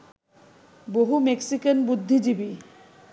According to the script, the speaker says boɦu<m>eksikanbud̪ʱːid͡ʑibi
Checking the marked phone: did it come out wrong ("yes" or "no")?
no